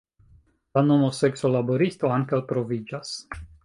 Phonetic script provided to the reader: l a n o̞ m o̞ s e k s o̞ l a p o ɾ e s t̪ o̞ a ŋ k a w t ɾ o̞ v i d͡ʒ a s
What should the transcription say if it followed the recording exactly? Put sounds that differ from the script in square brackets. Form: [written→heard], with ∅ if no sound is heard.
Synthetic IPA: l a n o̞ m o̞ s e k s o̞ l a [p→b] o ɾ [e→i] s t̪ o̞ a ŋ k a w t ɾ o̞ v i d͡ʒ a s